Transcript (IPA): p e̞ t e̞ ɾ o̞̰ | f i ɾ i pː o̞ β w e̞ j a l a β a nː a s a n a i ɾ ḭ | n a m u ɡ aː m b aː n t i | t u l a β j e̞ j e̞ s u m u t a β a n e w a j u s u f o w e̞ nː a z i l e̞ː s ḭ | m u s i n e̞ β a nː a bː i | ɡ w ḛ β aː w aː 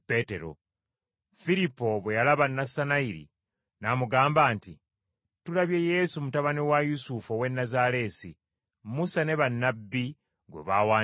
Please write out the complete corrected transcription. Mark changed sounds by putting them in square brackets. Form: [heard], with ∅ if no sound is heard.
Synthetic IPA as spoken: p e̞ t e̞ ɾ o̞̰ | f i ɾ i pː o̞ β w e̞ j a l a β a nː a s a n a i ɾ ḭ | n a m u ɡ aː m b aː n t i | t u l a β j e̞ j e̞ s u m u t a β a n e w a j u s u f o w e̞ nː a z [a] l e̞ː s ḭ | m u s [a] n e̞ β a nː a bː i | ɡ w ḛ β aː w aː